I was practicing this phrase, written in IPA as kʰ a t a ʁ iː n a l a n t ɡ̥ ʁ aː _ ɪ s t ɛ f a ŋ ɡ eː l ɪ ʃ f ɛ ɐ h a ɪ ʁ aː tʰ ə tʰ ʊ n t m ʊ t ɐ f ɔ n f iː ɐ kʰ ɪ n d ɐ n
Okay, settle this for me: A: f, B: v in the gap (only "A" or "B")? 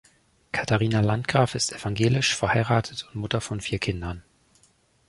A